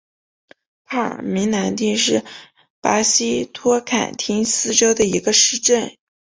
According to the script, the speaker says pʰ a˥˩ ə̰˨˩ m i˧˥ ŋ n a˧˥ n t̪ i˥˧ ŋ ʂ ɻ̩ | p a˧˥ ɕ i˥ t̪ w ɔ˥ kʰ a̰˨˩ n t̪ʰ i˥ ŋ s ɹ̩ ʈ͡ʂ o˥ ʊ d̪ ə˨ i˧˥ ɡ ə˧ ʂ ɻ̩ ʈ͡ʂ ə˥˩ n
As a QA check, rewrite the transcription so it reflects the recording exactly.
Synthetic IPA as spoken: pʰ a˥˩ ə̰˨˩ m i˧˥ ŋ n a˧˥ n t̪ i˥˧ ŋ ʂ ɻ̩ | p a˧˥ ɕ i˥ t̪ʰ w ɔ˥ kʰ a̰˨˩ n t̪ʰ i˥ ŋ s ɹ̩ ʈ͡ʂ o˥ ʊ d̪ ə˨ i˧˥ ɡ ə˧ ʂ ɻ̩ ʈ͡ʂ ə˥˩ n